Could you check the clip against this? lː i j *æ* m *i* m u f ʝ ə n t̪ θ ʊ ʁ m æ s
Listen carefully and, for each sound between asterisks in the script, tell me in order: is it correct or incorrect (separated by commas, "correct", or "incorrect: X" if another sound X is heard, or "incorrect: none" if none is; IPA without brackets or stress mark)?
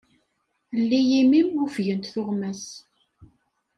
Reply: incorrect: i, correct